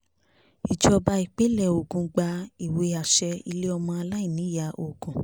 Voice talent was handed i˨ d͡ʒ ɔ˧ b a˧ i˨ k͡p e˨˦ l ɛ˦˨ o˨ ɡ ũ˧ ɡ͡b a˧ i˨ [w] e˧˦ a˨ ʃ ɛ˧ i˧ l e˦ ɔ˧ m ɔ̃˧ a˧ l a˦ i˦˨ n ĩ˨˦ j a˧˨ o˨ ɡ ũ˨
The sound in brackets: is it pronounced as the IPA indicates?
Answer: yes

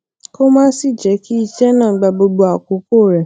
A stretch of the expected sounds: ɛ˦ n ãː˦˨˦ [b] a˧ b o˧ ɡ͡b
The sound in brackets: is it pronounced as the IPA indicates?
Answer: no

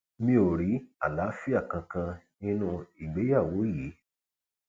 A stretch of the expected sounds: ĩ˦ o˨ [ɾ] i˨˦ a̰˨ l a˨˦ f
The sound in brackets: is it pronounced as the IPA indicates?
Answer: yes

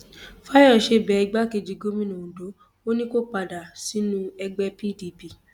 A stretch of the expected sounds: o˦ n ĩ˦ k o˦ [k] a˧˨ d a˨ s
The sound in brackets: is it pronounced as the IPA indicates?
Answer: no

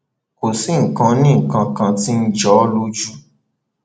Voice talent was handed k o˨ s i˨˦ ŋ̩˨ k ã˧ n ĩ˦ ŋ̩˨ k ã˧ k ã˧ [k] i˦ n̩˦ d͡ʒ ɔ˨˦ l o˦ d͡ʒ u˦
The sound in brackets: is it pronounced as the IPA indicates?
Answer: no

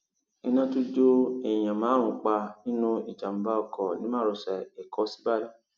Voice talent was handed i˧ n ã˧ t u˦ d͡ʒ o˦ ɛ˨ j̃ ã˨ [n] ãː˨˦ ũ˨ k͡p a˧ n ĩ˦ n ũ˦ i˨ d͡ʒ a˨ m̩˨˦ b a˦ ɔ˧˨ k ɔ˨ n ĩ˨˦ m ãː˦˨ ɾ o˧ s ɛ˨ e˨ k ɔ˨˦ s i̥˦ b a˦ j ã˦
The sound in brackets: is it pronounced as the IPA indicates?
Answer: no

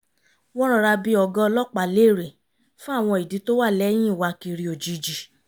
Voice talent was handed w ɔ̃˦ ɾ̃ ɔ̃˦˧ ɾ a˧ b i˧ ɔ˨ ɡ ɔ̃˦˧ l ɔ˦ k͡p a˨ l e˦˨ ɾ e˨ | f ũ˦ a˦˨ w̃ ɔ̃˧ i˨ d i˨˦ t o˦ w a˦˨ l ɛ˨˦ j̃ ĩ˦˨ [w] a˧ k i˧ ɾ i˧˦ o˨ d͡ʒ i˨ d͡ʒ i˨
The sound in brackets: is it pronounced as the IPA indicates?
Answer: yes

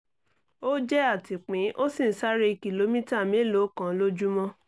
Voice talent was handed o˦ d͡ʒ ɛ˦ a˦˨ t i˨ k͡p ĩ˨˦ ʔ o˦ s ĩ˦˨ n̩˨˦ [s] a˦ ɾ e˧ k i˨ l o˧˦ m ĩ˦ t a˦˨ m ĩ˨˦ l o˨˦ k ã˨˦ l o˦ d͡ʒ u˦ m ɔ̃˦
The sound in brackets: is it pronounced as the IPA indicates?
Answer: yes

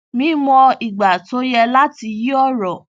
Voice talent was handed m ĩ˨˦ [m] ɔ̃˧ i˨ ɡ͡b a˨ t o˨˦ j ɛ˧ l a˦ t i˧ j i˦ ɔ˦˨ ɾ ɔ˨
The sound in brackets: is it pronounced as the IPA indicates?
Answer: yes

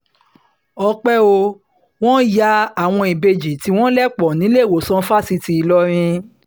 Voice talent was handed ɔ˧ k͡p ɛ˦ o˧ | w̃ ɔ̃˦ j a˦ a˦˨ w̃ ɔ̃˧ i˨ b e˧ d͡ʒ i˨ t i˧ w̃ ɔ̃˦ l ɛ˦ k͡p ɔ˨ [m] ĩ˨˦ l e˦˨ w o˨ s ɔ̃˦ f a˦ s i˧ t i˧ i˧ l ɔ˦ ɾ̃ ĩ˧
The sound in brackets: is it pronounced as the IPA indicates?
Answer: no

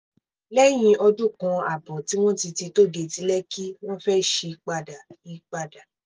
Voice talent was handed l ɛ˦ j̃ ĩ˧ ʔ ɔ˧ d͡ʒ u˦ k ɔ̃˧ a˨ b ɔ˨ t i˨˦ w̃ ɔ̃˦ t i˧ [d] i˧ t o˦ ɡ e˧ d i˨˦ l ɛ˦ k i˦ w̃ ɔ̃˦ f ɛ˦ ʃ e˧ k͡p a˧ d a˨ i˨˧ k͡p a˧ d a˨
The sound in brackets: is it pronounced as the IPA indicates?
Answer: no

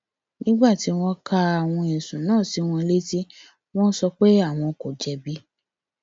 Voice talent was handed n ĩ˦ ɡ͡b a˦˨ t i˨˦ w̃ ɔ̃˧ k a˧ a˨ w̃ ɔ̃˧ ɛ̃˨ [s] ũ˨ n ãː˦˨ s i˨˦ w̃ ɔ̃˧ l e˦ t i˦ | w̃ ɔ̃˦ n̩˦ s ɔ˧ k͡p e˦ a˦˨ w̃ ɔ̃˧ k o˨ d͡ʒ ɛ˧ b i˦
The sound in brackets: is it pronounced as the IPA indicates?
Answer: yes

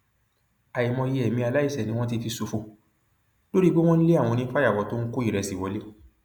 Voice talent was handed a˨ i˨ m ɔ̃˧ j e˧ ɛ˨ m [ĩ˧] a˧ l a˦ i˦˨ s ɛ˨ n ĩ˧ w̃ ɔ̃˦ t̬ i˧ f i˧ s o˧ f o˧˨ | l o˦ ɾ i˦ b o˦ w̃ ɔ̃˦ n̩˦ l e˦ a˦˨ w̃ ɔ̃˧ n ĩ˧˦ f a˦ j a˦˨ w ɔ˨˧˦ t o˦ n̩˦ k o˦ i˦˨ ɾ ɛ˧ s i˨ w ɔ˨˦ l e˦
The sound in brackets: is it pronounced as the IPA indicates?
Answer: yes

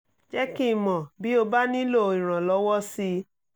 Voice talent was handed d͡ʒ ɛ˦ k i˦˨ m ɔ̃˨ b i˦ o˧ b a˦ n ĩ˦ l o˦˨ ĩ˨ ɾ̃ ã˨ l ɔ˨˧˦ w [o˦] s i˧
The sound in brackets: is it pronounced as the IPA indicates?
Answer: no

